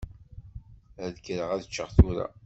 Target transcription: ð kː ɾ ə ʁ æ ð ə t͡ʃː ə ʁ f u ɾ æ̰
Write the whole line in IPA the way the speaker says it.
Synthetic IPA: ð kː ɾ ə ʁ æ ð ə t͡ʃː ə ʁ θ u ɾ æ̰